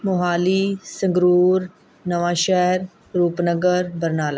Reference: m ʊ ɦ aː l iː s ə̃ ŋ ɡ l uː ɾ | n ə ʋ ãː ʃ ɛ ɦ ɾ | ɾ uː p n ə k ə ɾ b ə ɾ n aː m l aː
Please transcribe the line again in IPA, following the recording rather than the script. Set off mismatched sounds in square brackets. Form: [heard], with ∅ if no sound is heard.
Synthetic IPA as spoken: m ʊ ɦ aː l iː s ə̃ ŋ ɡ [ɾ] uː ɾ | n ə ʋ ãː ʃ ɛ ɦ ɾ | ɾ uː p n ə [ɡ] ə ɾ b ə ɾ n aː [∅] l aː